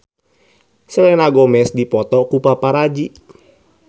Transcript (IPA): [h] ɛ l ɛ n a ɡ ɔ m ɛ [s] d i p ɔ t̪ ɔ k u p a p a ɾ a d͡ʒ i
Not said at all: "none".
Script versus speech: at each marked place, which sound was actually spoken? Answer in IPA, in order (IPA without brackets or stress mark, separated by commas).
s, s